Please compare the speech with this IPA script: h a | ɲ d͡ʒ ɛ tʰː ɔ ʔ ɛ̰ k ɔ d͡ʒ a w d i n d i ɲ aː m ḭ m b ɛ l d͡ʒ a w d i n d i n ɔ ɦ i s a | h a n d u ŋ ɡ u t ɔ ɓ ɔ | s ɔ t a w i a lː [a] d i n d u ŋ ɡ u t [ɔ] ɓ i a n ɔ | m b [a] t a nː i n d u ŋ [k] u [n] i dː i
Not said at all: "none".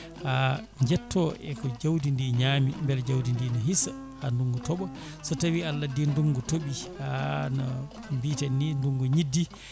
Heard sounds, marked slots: a, o, i, ɡ, ɲ

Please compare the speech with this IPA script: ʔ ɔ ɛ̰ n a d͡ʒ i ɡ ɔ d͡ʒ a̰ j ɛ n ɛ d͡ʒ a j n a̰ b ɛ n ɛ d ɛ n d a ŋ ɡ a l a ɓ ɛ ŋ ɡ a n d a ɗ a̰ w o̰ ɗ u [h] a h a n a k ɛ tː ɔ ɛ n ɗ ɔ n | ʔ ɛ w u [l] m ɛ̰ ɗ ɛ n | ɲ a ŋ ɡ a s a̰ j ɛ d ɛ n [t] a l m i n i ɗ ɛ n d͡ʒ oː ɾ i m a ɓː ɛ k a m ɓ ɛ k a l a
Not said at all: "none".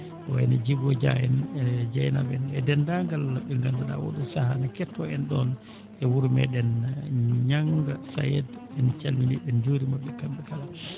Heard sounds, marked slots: s, ɾ, t͡ʃ

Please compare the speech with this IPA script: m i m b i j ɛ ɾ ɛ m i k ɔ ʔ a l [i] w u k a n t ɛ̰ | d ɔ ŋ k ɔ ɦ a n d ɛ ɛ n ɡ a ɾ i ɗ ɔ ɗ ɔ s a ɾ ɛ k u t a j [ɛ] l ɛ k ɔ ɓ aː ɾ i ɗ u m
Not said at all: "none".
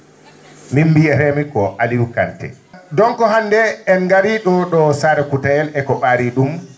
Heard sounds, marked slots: i, ɛ

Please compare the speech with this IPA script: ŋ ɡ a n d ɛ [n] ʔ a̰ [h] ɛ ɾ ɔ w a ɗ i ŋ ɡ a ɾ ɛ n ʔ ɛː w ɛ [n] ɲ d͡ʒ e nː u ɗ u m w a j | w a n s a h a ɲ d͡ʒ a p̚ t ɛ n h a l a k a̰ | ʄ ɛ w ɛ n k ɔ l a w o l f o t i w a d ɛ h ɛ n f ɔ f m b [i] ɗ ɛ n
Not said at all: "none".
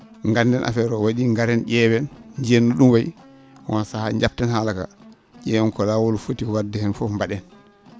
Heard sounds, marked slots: n, f, n, a

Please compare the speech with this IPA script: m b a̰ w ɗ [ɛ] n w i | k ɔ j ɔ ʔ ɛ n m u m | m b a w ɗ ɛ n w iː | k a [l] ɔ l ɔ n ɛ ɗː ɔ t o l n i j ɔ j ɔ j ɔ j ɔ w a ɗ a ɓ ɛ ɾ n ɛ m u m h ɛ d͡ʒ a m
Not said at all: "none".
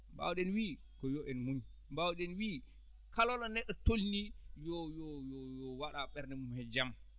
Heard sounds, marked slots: ɛ, l

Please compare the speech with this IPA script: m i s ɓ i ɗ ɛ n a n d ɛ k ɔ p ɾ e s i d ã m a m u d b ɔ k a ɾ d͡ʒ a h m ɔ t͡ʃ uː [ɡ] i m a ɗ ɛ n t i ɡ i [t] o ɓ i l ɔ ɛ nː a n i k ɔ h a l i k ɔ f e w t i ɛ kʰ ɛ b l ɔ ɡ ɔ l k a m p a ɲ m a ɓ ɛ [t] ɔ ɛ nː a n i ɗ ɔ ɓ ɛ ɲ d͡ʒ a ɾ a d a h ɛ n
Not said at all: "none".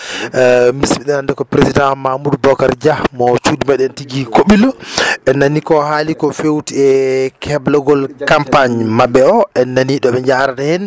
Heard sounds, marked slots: d, k, none

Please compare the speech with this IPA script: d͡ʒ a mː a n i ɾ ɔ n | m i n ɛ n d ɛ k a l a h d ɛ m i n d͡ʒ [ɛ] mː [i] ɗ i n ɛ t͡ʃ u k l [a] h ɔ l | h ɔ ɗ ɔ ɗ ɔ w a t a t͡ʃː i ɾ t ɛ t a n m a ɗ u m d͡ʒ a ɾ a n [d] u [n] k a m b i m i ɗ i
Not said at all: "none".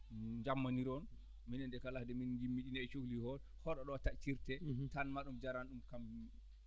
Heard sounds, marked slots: i, i, i, ɗ, m

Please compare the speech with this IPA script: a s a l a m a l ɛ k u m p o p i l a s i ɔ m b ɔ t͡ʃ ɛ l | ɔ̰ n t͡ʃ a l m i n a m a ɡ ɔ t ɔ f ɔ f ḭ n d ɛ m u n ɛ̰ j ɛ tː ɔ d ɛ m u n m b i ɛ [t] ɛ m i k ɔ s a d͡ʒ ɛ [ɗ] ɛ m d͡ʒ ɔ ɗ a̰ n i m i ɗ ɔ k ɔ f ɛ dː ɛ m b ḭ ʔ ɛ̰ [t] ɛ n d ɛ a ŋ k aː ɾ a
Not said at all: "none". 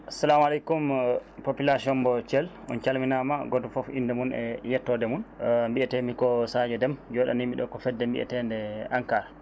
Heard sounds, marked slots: t, d, t

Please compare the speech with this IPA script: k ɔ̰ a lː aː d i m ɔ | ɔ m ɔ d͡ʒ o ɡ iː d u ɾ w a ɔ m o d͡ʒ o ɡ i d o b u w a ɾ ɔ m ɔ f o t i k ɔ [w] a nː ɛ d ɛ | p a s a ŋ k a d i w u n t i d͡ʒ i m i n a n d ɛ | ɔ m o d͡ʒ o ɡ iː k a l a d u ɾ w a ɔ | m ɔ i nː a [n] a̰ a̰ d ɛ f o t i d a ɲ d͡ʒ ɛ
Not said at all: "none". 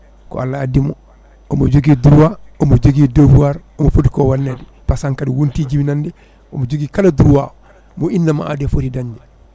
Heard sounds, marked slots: w, m

